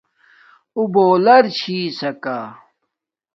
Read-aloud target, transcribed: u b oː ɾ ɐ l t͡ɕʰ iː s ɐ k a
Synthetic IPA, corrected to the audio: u b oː l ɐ ɾ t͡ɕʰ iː s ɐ k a

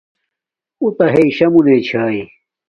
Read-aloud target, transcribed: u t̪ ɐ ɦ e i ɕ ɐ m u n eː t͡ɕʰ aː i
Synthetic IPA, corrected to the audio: u t̪ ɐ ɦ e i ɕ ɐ m u n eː t͡ɕʰ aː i

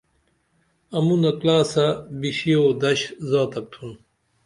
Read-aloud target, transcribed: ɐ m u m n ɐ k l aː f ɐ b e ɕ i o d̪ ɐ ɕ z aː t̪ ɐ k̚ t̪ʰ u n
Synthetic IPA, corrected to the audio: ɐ m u n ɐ k l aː s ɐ b i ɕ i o d̪ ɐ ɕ z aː t̪ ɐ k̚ t̪ʰ u n

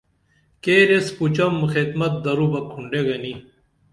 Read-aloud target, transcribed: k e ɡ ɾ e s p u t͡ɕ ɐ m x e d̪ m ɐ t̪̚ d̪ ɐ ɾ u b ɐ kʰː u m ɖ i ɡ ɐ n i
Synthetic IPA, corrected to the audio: k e ɾ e s p u t͡ɕ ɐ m x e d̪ m ɐ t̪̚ d̪ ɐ ɾ u b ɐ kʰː u ɳ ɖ e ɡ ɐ n i

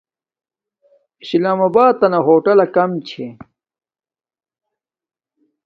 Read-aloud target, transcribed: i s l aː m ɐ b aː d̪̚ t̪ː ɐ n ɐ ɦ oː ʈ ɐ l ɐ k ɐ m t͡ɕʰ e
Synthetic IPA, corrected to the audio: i s l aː m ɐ b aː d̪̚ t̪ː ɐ n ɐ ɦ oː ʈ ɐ l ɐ k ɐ m t͡ɕʰ e

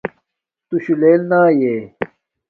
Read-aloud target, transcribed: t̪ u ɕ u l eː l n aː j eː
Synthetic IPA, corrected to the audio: t̪ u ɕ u l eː l n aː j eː

